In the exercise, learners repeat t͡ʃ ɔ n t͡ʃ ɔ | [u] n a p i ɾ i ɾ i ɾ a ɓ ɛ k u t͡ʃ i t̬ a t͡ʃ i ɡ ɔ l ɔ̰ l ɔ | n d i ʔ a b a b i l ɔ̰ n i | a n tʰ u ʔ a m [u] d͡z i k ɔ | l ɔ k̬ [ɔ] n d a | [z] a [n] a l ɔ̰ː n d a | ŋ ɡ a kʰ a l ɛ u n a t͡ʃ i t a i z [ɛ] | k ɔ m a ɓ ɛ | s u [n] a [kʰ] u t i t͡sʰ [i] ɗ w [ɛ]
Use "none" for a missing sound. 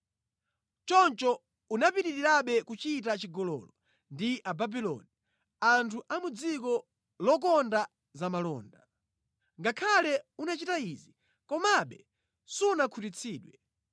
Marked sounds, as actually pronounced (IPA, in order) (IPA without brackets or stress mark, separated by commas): u, u, ɔ, z, m, i, n, kʰ, iː, ɛ